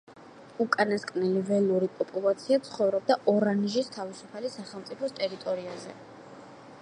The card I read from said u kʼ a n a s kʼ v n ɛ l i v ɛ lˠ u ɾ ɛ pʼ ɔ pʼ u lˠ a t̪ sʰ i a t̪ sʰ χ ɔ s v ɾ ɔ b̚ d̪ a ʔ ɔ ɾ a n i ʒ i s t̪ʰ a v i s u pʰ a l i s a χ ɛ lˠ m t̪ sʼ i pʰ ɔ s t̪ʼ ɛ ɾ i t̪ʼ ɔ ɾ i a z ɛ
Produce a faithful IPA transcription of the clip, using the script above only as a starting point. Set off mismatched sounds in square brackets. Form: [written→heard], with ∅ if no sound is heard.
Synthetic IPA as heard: u kʼ a n a s kʼ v n ɛ l i v ɛ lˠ u ɾ [ɛ→i] pʼ ɔ pʼ u lˠ a t̪ sʰ i a t̪ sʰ χ ɔ [s→∅] v ɾ ɔ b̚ d̪ a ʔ ɔ ɾ a n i ʒ i s t̪ʰ a v i s u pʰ a l i s a χ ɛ lˠ m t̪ sʼ i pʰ ɔ s t̪ʼ ɛ ɾ i t̪ʼ ɔ ɾ i a z ɛ